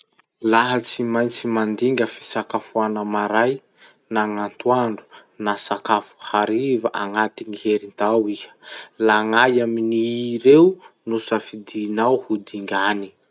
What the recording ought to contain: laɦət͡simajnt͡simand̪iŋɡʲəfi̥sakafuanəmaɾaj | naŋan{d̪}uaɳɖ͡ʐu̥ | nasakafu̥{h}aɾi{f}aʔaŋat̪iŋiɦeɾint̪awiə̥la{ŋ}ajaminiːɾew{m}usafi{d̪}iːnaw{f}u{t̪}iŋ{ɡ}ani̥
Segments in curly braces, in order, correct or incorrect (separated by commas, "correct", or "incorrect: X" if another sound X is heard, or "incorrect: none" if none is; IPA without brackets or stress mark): incorrect: t̪, correct, incorrect: v, correct, incorrect: n, correct, incorrect: h, incorrect: d̪, correct